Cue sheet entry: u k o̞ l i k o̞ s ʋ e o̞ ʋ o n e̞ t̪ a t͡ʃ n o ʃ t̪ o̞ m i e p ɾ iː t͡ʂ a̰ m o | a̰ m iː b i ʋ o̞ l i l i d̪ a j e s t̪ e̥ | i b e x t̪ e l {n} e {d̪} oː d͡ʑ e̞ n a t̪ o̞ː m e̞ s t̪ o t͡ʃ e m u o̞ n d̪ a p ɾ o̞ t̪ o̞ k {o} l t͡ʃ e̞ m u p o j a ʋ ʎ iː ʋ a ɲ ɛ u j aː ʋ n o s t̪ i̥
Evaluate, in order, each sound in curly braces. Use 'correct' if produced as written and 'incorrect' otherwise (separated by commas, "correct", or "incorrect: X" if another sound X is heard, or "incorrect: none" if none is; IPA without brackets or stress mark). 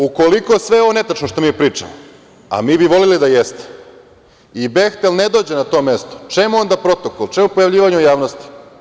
correct, correct, correct